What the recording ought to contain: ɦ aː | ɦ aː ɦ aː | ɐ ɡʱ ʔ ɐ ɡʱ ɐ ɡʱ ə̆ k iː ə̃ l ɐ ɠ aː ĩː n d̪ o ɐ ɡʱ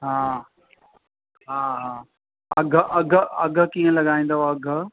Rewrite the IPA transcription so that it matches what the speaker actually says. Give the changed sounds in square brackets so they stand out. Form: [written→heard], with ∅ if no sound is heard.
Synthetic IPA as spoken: ɦ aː | ɦ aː ɦ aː | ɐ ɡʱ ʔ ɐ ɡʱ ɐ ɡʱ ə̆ k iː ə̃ l ɐ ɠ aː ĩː n d̪ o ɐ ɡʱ